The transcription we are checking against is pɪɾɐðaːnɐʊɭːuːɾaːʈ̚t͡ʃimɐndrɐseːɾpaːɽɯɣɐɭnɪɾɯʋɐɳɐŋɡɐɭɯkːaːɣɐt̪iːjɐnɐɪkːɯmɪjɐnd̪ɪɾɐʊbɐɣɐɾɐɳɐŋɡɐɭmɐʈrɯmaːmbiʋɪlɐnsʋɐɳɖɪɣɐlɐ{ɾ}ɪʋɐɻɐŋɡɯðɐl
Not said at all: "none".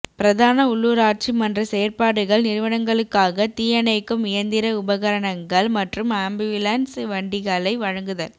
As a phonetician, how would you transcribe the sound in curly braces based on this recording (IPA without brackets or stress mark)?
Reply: none